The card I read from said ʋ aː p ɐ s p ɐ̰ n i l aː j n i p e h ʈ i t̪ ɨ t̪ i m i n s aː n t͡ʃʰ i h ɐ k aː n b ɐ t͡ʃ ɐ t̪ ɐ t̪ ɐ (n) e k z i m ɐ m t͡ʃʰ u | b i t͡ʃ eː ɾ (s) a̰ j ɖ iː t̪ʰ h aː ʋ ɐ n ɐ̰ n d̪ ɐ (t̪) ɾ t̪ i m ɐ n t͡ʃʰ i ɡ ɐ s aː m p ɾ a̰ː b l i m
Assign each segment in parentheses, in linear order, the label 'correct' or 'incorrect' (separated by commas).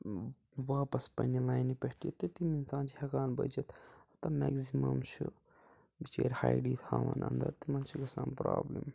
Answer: incorrect, incorrect, incorrect